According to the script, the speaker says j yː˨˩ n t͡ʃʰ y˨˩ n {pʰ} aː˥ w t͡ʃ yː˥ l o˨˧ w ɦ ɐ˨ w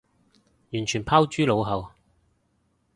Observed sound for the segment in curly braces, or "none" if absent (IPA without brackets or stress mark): pʰ